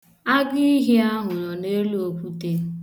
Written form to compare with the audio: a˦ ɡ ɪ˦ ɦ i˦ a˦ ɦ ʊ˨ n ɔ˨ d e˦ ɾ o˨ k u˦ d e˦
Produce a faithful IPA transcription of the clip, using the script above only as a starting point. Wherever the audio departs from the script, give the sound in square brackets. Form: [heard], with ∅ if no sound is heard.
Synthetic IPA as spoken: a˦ ɡ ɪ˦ ɦ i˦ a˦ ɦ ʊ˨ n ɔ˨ [n] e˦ [l] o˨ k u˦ [t] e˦

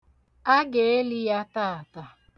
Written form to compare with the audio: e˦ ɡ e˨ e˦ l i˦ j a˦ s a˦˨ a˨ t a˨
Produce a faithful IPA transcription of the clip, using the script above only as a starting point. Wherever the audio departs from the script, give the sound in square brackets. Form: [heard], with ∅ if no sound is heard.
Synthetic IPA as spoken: [a˦] ɡ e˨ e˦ l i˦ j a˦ [t] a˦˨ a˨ t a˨

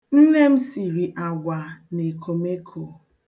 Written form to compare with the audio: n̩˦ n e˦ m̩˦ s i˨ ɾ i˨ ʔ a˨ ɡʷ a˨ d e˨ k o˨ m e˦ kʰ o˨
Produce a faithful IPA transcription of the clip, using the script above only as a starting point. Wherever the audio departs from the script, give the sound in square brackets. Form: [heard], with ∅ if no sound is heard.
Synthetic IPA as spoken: n̩˦ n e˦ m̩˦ s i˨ ɾ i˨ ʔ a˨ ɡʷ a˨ [n] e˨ k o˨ m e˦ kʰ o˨

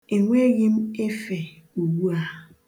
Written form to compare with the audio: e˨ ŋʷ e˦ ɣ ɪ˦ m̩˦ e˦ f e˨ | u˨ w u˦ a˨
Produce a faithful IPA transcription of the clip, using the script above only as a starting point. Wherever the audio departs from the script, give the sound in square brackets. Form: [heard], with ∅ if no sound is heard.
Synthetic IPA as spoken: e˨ ŋʷ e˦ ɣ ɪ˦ m̩˦ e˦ f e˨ | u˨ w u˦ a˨

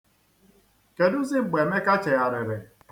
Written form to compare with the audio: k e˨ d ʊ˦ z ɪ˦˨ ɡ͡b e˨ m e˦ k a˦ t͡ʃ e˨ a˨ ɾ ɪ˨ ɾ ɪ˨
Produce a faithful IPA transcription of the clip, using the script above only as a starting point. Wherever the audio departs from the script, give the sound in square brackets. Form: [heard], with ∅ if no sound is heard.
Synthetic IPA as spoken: k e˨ d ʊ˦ z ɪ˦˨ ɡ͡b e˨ m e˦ k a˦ t͡ʃ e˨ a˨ ɾ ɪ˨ ɾ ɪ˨

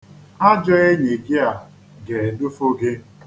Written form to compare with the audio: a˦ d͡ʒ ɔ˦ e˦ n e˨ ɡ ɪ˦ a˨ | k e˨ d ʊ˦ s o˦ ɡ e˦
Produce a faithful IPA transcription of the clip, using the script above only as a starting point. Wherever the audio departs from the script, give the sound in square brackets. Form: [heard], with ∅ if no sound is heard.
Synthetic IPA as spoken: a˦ d͡ʒ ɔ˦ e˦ [ɲ] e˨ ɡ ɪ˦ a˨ | [ɡ] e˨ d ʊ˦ [f] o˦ ɡ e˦

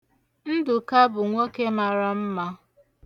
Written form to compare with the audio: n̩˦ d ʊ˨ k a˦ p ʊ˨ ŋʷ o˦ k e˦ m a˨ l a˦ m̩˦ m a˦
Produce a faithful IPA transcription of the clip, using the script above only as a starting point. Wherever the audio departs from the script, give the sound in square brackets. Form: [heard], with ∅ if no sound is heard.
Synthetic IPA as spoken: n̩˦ d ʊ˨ k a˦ [b] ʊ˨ ŋʷ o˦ k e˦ m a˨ [ɾ] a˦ m̩˦ m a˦

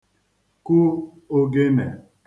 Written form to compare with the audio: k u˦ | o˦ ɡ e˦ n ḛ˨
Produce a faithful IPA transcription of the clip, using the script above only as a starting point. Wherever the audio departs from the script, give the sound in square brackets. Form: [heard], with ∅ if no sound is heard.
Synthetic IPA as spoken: k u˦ | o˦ ɡ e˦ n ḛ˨

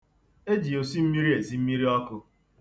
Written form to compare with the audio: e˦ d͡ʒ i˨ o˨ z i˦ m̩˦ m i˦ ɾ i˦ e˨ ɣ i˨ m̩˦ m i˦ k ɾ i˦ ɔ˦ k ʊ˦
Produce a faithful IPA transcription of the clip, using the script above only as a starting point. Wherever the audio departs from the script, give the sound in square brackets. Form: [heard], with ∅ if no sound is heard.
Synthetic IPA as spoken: e˦ d͡ʒ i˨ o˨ [s] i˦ m̩˦ m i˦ ɾ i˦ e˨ [z] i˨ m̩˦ m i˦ [∅] ɾ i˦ ɔ˦ k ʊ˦

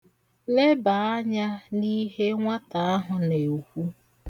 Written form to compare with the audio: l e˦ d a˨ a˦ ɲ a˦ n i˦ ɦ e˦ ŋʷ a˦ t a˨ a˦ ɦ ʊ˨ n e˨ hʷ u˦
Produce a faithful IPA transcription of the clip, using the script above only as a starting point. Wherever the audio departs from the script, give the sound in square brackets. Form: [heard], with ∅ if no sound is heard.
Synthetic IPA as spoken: l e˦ [b] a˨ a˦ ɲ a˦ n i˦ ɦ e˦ ŋʷ a˦ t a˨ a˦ ɦ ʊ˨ n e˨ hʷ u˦

